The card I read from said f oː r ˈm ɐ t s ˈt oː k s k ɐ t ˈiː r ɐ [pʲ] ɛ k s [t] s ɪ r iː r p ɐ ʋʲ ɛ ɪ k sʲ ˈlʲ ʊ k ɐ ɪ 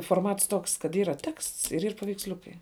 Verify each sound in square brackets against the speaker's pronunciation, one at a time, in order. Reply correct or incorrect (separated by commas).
incorrect, correct